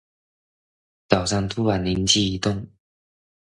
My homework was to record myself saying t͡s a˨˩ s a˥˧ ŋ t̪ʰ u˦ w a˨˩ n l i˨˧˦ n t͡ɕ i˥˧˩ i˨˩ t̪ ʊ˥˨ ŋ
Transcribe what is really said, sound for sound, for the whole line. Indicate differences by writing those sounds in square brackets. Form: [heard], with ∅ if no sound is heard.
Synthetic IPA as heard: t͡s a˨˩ s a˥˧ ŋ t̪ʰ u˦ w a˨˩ n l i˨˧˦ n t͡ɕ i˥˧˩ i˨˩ t̪ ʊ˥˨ ŋ